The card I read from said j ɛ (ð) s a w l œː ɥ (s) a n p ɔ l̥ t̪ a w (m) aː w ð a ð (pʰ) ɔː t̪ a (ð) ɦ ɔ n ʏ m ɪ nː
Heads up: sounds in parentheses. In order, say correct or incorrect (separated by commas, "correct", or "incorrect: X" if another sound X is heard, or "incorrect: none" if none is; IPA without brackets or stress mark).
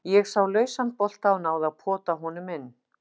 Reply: incorrect: ɣ, correct, incorrect: n, correct, incorrect: none